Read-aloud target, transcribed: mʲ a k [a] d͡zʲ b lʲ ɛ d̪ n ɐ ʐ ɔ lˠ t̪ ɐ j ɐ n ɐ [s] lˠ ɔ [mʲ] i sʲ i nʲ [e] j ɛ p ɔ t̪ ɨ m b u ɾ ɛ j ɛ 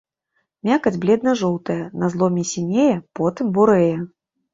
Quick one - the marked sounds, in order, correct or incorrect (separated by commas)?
incorrect, incorrect, correct, correct